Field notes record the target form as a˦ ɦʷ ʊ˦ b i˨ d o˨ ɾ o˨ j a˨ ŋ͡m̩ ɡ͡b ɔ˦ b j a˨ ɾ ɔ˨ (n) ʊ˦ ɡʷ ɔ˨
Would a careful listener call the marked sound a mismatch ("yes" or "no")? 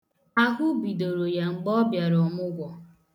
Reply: yes